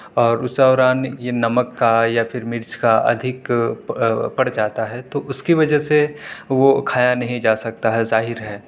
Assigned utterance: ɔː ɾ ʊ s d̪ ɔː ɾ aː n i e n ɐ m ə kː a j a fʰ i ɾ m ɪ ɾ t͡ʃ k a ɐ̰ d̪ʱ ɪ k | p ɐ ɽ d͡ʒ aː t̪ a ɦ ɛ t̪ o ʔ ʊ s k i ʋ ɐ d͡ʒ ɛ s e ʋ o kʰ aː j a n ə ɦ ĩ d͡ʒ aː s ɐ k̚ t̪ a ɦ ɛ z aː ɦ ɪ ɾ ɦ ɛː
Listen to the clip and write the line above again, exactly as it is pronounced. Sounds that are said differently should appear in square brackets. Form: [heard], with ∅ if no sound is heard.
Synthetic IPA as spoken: ɔː ɾ ʊ s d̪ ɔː ɾ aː n [j] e n ɐ m ə kː a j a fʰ [ɪ] ɾ m ɪ ɾ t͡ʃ k a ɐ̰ d̪ʱ ɪ k | p ɐ ɽ d͡ʒ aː t̪ a ɦ ɛ t̪ o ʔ ʊ s k i ʋ ɐ d͡ʒ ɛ s e ʋ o kʰ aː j a n [ɐ] ɦ ĩ d͡ʒ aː s ɐ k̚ t̪ a ɦ ɛ z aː ɦ ɪ ɾ ɦ ɛː